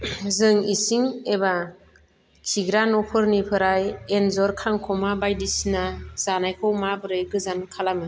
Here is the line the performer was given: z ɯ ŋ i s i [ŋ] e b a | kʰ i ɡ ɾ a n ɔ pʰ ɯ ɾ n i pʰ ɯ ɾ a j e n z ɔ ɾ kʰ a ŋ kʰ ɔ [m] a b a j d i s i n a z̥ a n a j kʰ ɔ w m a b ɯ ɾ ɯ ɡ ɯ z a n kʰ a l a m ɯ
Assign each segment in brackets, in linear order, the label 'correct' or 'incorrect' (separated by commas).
correct, correct